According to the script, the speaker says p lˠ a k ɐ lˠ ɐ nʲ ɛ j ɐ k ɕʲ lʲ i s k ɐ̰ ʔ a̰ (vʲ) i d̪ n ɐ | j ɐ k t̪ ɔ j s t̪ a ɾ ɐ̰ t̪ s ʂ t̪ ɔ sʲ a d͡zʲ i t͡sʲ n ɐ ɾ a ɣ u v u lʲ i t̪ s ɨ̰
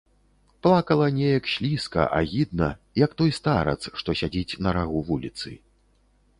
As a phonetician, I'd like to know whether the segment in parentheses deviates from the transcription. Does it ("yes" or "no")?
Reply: yes